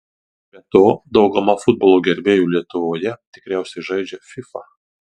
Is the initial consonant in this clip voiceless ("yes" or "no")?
no